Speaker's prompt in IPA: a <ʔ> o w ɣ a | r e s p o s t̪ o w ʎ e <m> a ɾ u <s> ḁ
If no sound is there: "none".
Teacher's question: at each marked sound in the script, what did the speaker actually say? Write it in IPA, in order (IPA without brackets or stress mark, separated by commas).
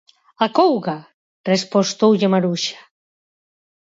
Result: k, m, ʃ